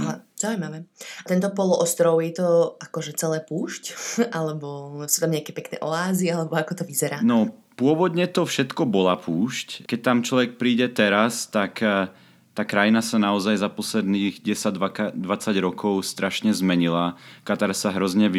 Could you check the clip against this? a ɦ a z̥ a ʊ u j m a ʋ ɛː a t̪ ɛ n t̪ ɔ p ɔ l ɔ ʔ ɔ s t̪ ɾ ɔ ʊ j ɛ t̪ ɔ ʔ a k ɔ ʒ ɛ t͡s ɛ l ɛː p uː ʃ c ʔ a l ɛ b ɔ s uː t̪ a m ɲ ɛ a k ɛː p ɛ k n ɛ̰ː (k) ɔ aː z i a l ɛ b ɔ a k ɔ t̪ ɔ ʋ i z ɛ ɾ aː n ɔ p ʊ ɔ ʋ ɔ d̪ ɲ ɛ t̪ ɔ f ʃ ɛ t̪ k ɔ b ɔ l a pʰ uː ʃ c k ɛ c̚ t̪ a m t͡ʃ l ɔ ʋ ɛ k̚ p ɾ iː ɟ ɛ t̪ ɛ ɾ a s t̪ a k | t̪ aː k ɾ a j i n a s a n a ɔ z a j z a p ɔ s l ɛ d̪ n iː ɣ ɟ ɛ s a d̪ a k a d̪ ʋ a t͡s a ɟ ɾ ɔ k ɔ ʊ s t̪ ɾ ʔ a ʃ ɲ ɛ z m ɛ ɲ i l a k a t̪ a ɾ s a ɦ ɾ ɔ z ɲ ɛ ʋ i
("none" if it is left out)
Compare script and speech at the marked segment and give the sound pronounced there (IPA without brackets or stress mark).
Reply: ʔ